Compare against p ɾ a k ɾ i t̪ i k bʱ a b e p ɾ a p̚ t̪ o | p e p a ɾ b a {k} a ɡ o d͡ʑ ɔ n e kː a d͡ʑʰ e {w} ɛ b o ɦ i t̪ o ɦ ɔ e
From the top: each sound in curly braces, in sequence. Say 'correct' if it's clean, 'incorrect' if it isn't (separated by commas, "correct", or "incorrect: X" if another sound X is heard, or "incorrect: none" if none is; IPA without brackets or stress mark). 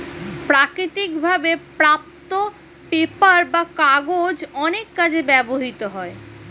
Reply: correct, incorrect: b